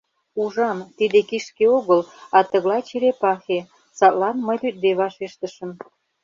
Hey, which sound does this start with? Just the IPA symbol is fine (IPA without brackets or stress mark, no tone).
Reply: u